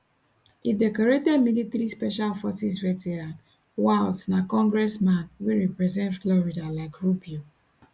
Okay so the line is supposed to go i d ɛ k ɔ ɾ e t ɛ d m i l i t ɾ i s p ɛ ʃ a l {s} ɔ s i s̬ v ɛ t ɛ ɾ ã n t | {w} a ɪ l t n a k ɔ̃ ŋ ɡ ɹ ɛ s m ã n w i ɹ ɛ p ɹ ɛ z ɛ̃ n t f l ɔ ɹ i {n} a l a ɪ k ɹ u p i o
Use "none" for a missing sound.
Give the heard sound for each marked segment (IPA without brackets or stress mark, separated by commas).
f, w, d